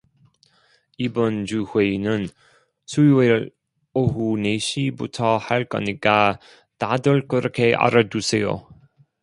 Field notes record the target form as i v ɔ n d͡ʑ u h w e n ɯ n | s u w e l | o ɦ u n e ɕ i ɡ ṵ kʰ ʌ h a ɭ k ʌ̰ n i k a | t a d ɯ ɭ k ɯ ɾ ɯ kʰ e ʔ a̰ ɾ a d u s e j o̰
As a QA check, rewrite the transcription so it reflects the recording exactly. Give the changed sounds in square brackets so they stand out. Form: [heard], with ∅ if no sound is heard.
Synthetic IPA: i [b] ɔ n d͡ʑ u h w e n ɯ n | s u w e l | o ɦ u n e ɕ i [b] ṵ [tʰ] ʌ h a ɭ k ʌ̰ n i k a | t a d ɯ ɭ k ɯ ɾ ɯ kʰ e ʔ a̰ ɾ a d u s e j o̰